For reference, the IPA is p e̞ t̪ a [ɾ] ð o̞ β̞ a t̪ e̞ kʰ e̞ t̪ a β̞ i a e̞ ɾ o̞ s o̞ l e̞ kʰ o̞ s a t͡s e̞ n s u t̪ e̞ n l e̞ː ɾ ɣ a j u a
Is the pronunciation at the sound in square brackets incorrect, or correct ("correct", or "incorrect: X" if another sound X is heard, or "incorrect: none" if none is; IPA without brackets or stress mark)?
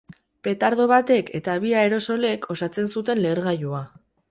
correct